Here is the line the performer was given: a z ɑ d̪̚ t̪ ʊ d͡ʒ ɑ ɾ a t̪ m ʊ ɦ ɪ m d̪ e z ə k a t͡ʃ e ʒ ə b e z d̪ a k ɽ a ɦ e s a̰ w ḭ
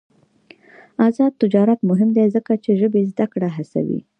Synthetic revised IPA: a z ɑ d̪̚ t̪ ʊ d͡ʒ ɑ ɾ a t̪ m ʊ ɦ ɪ m d̪ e z ə k a t͡ʃ e ʒ ə b e z d̪ a k ɽ a ɦ a s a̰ w ḭ